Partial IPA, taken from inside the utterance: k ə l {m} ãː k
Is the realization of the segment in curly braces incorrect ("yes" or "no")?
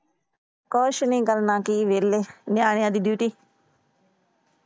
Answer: yes